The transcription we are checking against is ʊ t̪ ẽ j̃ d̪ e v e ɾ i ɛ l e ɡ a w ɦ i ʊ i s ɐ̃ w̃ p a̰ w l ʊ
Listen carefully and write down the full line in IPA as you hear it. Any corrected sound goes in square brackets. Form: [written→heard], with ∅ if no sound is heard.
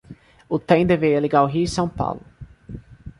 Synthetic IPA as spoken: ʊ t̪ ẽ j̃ d̪ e v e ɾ i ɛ l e ɡ a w ɦ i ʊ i s ɐ̃ w̃ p a̰ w l ʊ